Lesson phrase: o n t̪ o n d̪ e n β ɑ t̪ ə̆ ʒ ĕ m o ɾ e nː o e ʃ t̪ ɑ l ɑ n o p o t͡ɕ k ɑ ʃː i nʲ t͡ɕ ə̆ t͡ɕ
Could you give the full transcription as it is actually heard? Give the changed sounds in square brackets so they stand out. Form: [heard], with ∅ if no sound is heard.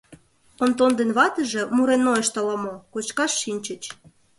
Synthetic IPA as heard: o n t̪ o n d̪ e n β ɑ t̪ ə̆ ʒ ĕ m [u] ɾ e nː o e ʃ t̪ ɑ l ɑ [m] o [k] o t͡ɕ k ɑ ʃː i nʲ t͡ɕ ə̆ t͡ɕ